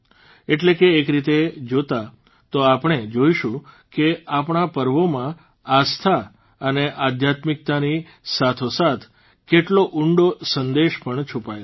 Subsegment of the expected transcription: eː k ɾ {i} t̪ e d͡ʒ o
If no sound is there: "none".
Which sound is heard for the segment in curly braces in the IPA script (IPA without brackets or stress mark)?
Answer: i